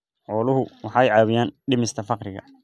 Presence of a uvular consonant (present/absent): present